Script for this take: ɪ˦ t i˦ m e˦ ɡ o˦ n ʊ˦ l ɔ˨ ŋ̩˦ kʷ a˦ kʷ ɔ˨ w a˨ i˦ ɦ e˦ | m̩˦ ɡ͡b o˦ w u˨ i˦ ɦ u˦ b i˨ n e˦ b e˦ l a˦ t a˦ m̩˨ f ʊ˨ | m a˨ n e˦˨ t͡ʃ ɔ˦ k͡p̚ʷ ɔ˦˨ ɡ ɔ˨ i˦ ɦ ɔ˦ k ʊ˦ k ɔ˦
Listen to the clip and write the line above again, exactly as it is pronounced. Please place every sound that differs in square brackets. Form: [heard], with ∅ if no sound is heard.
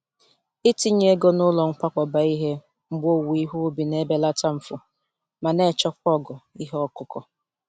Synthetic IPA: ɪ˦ t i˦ [ɲ] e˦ ɡ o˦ n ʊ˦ l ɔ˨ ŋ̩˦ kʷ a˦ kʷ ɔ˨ [b] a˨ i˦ ɦ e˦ | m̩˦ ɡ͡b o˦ w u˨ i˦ ɦ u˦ b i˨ n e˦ b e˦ l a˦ t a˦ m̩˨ f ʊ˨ | m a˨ n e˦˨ t͡ʃ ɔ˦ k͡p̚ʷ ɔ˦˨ ɡ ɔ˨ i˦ ɦ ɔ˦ k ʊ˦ k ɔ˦